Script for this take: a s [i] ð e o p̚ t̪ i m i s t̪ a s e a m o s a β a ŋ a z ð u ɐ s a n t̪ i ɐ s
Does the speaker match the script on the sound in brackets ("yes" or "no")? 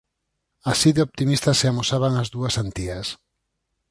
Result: yes